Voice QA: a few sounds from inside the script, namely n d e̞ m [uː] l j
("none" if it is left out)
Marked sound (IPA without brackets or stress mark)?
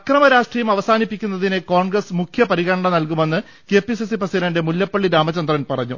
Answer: u